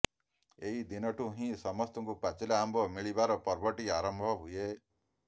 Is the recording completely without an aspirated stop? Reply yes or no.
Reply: yes